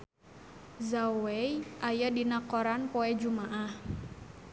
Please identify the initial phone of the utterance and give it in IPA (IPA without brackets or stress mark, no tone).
z